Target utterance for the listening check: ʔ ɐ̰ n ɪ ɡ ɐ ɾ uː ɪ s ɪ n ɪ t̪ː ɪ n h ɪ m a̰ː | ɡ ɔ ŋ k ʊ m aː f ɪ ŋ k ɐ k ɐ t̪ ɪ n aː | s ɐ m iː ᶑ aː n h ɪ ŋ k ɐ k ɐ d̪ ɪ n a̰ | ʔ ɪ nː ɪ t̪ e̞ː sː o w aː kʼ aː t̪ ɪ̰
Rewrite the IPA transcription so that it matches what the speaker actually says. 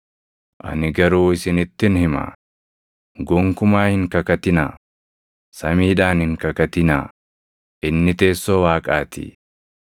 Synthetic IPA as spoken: ʔ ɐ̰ n ɪ ɡ ɐ ɾ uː ɪ s ɪ n ɪ t̪ː ɪ n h ɪ m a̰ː | ɡ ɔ ŋ k ʊ m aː h ɪ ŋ k ɐ k ɐ t̪ ɪ n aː | s ɐ m iː ᶑ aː n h ɪ ŋ k ɐ k ɐ t̪ ɪ n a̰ | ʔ ɪ nː ɪ t̪ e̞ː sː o w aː kʼ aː t̪ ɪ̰